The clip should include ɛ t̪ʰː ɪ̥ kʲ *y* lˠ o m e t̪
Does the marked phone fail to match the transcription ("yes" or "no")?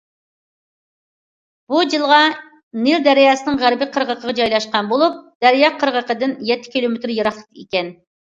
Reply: yes